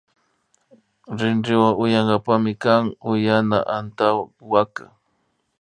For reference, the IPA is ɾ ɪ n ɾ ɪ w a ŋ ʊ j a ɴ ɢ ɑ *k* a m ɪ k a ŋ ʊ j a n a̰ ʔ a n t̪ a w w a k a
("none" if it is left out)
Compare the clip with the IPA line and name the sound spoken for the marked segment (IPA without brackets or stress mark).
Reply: p